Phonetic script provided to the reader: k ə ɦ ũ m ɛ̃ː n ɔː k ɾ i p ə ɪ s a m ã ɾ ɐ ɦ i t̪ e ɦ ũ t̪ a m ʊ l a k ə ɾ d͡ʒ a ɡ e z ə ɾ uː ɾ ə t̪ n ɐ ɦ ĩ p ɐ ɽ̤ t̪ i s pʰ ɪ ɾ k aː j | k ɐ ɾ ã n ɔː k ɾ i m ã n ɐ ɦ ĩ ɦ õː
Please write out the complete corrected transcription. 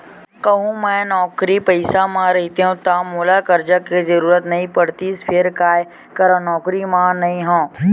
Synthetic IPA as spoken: k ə ɦ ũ m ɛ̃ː n ɔː k ɾ i p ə ɪ s a m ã ɾ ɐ ɦ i t̪ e ɦ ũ t̪ a m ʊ l a k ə ɾ d͡ʒ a k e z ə ɾ uː ɾ ə t̪ n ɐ ɦ ĩ p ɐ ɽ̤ t̪ i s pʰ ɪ ɾ k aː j | k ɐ ɾ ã n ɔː k ɾ i m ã n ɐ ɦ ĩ ɦ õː

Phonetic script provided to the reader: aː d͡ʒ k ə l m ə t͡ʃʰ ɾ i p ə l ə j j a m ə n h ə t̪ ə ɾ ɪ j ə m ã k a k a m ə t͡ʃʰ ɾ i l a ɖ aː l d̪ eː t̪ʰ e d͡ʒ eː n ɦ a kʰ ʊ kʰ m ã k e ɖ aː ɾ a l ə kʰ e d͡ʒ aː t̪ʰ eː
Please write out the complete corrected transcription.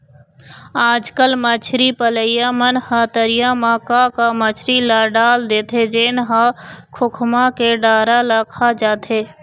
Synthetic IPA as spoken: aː d͡ʒ k ə l m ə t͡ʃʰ ɾ i p ə l ə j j a m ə n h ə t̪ ə ɾ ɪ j a m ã k a k a m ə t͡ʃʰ ɾ i l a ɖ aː l d̪ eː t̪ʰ e d͡ʒ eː n ɦ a kʰ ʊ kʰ m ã k e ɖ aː ɾ a l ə kʰ a d͡ʒ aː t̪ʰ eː

